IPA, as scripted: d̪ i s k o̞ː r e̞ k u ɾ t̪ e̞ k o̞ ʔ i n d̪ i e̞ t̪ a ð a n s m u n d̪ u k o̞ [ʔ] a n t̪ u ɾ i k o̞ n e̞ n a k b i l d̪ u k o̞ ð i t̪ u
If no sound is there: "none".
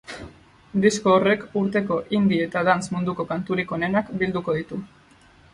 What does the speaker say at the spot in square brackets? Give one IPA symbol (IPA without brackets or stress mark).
k